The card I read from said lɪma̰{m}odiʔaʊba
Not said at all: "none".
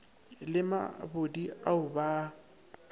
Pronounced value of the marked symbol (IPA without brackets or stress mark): b